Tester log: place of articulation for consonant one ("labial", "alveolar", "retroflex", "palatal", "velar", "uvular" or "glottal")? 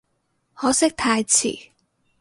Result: glottal